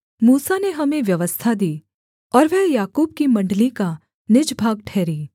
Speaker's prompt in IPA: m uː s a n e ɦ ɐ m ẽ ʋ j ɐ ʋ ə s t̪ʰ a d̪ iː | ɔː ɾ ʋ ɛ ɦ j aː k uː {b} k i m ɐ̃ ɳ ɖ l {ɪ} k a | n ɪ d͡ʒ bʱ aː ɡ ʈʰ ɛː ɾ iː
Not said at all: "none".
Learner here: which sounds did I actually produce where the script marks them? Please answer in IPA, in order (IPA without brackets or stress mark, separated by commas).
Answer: b, i